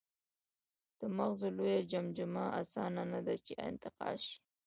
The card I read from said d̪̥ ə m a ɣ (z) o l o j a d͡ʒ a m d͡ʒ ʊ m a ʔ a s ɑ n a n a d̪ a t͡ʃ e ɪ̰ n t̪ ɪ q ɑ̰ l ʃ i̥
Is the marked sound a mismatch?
no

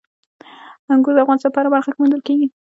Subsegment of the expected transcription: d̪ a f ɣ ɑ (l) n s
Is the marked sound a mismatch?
yes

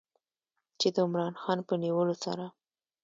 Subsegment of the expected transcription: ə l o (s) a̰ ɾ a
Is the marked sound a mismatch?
no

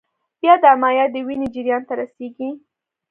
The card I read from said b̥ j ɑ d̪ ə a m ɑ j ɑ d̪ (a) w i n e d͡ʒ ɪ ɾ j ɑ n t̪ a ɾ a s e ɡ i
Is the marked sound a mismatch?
yes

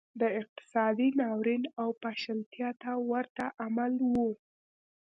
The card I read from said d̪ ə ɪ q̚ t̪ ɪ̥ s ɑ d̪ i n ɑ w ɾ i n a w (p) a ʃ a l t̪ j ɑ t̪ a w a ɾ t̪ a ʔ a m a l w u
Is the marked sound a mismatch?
no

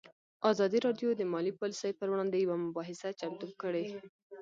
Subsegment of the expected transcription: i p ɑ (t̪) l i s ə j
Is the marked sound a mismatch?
yes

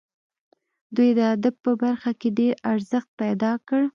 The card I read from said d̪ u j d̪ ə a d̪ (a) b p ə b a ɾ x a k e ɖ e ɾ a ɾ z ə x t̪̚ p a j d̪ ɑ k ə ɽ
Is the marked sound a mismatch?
no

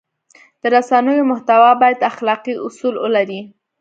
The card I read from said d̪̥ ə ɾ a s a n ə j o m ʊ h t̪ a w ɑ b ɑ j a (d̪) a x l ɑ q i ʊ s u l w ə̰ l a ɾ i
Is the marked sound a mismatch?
no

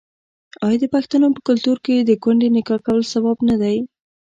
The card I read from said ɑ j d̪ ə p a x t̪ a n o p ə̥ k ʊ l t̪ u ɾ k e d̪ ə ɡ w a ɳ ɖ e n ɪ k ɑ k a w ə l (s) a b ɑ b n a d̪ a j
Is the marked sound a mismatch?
no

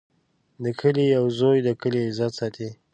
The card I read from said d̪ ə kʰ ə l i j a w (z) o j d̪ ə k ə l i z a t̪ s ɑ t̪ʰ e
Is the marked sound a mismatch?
no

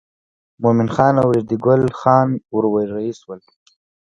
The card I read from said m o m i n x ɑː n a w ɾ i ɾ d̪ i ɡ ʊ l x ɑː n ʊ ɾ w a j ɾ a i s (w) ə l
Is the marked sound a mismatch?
no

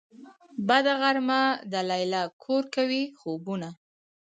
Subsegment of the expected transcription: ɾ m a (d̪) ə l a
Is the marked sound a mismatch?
no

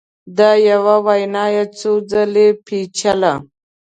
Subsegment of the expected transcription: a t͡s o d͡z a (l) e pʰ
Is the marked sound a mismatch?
no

